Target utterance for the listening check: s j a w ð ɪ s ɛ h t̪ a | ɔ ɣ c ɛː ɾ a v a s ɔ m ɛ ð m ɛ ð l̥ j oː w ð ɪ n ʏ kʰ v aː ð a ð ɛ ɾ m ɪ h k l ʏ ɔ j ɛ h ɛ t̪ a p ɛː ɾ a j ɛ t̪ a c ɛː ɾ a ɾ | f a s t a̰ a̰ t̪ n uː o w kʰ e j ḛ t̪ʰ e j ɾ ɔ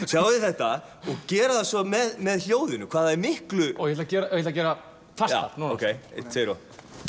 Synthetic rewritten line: s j a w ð ɪ θ ɛ h t̪ a | ɔ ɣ c ɛː ɾ a ð a s ɔ m ɛ ð m ɛ ð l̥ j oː w ð ɪ n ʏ kʰ v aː ð a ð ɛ ɾ m ɪ h k l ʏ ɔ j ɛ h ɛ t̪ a c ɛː ɾ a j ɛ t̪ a c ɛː ɾ a | f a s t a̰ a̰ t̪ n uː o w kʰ e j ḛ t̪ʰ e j ɾ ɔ